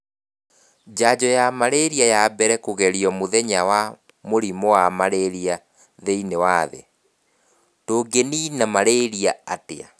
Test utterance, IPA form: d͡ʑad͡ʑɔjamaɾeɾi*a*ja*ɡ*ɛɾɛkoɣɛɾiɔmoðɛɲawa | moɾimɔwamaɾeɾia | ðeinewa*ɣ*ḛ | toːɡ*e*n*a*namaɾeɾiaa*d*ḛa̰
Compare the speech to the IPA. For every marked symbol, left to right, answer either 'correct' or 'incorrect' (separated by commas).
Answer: correct, incorrect, incorrect, correct, incorrect, incorrect